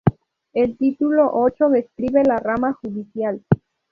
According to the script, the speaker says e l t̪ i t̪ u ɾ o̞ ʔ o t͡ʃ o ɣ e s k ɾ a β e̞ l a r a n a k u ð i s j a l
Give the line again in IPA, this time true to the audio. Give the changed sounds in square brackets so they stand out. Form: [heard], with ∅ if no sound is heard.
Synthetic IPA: e l t̪ i t̪ u [l] o̞ ʔ o t͡ʃ o [ð] e s k ɾ [i] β e̞ l a r a [m] a [x] u ð i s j a l